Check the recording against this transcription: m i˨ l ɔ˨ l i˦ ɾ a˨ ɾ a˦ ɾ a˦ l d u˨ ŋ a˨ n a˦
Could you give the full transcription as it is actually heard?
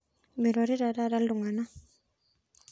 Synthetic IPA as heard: m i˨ ɾ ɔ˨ ɾ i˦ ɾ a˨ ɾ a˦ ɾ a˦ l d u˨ ŋ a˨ n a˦